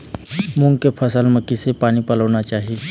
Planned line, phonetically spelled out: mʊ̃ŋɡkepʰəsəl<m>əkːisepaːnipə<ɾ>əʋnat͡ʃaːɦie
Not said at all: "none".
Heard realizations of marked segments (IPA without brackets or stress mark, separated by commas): m, l